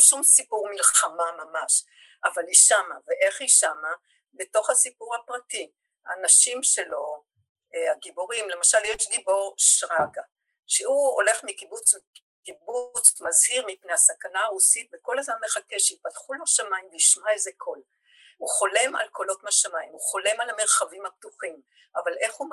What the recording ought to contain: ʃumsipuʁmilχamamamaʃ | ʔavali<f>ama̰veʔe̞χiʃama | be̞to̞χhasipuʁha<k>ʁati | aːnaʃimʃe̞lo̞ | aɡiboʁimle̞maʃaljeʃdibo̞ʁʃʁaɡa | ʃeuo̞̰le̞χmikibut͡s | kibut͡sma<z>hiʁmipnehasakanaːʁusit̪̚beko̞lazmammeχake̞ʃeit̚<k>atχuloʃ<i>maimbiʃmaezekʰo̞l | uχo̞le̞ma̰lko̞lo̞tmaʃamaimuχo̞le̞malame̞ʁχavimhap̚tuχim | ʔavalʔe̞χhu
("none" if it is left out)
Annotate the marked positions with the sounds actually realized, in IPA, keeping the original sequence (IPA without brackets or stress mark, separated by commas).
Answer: ʃ, p, z, p, a